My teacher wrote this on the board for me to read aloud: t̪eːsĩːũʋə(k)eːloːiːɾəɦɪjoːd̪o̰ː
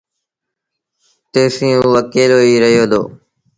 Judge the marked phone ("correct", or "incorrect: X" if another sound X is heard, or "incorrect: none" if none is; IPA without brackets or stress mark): correct